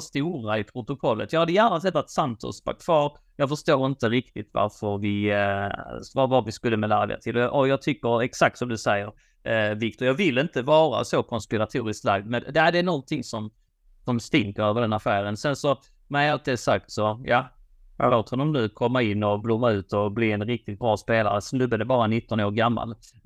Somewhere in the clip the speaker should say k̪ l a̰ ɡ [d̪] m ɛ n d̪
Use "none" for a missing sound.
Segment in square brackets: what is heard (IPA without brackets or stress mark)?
d̪